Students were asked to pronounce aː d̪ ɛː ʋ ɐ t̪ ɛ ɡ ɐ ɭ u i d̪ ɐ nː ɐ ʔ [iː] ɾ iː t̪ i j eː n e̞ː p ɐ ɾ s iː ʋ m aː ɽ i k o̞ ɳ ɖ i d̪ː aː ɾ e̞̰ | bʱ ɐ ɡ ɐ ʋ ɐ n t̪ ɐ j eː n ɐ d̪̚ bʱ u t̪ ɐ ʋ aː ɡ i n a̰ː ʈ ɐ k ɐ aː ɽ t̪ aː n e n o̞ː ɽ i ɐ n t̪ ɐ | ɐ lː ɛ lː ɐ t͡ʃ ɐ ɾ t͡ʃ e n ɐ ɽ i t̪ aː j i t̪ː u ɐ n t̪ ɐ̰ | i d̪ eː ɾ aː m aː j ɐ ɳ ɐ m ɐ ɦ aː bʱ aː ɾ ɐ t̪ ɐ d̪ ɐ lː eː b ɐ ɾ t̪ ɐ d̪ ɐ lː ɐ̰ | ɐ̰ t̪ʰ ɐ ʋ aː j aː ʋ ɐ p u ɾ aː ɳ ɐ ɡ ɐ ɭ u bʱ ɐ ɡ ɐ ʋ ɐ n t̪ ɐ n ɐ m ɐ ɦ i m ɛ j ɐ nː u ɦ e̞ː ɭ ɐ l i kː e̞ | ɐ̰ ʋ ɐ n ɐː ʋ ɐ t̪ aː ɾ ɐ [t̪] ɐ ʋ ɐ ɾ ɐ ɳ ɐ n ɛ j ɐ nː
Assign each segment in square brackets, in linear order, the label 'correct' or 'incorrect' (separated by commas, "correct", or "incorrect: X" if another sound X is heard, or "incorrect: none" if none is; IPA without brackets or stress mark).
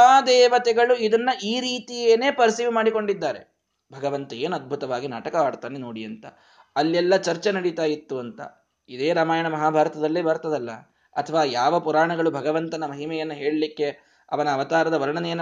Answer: correct, incorrect: d̪